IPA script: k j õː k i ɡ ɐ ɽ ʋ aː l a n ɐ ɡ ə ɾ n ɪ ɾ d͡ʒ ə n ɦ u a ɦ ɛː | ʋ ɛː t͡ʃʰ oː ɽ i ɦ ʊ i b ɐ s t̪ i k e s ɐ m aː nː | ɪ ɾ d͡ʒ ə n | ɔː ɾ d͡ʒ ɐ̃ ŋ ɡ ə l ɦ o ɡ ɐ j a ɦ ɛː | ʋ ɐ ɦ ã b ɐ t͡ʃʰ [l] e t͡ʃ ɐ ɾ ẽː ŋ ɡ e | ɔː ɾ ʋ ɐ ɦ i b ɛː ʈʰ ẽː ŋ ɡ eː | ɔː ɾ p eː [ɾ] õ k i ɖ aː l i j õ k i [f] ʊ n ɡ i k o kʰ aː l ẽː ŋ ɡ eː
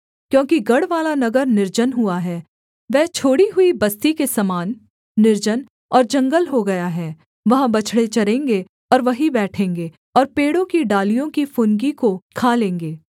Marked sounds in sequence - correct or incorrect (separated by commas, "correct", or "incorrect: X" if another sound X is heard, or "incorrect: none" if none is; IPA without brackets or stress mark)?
incorrect: ɽ, incorrect: ɽ, correct